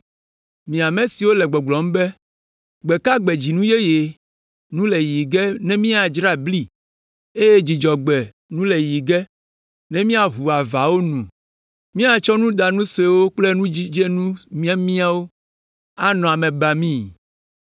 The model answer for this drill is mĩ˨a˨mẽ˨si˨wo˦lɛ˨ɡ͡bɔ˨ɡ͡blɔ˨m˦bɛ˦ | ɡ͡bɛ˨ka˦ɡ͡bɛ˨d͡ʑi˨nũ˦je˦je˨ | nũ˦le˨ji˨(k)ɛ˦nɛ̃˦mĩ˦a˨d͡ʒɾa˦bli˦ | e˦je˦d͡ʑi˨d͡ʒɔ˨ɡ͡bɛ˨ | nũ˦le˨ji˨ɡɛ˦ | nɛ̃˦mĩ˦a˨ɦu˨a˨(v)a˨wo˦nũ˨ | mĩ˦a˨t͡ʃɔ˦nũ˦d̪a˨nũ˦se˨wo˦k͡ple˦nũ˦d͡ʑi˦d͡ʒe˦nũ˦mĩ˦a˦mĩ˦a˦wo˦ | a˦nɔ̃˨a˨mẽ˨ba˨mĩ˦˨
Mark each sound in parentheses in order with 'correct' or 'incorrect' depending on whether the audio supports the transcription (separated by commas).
incorrect, correct